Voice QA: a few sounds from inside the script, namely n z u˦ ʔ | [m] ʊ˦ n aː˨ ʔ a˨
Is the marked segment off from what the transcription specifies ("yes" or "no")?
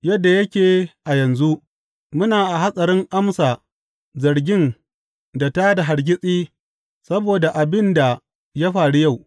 no